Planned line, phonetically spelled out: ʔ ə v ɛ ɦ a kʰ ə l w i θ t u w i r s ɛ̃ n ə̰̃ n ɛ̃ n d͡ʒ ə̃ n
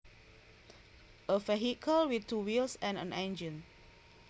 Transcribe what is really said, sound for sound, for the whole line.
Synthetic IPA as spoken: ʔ ə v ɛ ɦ i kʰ ə l w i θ t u w i l s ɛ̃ n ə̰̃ n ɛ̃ n d͡ʒ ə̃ n